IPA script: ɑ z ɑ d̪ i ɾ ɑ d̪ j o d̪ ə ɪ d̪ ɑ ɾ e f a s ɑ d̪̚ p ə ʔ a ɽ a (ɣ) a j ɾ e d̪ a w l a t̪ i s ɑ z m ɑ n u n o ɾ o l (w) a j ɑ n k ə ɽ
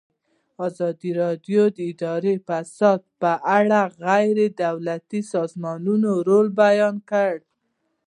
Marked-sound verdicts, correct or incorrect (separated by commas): correct, incorrect